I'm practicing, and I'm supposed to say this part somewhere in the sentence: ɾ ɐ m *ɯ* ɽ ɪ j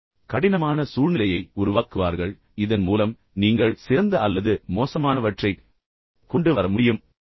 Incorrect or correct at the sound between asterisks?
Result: incorrect: ʊ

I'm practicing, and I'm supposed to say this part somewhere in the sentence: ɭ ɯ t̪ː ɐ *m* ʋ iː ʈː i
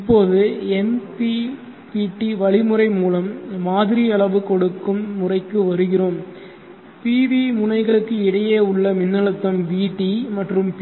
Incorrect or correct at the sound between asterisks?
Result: correct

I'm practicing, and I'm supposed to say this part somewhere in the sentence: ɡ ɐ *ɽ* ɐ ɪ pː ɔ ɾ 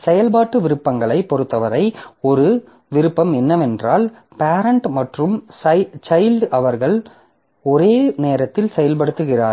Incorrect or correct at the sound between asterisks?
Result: incorrect: ɭ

